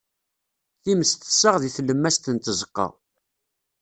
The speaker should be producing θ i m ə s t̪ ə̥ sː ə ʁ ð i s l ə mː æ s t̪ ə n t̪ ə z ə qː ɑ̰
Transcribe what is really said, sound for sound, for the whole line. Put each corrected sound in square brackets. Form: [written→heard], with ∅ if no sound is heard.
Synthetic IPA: θ i m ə s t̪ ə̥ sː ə ʁ ð i [s→θ] l ə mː æ s t̪ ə n t̪ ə z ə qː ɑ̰